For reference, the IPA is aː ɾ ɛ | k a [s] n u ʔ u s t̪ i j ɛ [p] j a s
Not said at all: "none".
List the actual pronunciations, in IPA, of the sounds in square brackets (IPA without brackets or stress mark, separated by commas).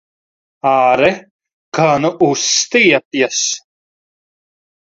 none, p